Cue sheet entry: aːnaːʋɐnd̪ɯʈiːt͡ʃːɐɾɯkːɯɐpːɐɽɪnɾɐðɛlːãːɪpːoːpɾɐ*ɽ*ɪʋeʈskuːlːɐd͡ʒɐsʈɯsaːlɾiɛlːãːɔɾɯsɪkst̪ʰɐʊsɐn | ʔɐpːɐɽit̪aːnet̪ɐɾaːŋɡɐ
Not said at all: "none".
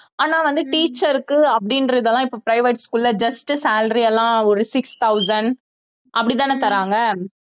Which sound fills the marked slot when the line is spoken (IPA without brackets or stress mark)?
none